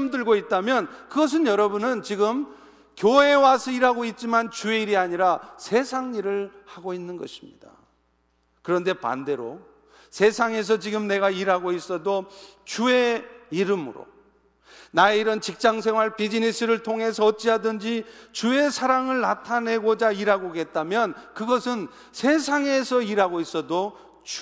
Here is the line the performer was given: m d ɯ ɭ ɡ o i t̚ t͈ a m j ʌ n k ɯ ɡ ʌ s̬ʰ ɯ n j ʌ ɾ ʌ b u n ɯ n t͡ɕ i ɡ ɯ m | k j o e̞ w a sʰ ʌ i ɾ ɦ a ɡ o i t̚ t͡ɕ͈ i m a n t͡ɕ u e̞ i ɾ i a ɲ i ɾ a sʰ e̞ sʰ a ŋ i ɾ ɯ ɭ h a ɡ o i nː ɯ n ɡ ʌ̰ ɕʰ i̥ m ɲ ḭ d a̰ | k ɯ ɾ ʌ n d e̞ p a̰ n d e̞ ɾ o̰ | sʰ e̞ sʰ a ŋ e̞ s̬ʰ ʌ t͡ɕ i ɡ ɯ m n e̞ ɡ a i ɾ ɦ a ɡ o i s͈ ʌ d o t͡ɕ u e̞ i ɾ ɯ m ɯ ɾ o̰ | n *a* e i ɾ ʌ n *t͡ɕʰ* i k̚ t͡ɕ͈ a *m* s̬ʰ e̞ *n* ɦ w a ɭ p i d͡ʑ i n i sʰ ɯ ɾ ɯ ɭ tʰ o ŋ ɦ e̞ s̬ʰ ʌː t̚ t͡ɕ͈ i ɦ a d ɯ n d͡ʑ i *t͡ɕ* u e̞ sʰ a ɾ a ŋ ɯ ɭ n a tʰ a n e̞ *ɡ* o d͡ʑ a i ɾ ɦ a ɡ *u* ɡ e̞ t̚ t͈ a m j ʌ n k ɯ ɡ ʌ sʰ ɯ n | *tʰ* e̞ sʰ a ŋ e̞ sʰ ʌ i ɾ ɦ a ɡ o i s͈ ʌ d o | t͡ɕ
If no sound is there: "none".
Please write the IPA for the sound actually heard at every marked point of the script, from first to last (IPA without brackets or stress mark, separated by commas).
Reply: a, t͡ɕ, ŋ, ŋ, t͡ɕ, ɡ, o, sʰ